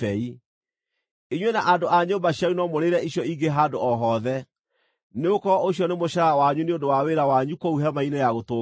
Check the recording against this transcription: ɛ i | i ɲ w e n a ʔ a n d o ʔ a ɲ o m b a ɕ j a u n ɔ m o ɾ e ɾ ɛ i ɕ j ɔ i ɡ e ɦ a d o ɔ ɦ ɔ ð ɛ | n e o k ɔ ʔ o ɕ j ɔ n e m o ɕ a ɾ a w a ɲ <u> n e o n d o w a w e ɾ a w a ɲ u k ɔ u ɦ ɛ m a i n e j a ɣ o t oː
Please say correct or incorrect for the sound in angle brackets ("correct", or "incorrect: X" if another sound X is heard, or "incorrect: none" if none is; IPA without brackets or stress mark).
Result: correct